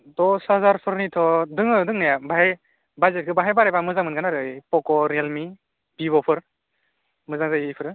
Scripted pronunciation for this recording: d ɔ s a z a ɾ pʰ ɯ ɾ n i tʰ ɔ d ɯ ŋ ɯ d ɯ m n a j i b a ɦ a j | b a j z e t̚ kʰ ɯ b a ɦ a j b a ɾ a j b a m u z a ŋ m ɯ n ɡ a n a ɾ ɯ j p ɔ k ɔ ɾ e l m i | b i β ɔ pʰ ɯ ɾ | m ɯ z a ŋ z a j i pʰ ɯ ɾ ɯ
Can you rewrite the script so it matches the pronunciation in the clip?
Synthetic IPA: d ɔ s a z a ɾ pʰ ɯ ɾ n i tʰ ɔ d ɯ ŋ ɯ d ɯ ŋ n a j a b a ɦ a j | b a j z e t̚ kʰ ɯ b a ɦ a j b a ɾ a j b a m ɯ z a ŋ m ɯ n ɡ a n a ɾ ɯ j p ɔ k ɔ ɾ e l m i | b i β ɔ pʰ ɯ ɾ | m ɯ z a ŋ z a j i pʰ ɯ ɾ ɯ